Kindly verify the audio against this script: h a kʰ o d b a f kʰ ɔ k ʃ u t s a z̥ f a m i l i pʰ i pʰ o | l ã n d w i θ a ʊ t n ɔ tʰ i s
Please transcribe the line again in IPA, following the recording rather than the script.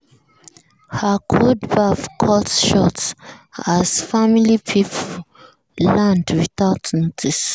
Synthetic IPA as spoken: h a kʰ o d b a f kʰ ɔ t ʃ ɔ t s a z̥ f a m i l i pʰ i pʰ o | l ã n d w i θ a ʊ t n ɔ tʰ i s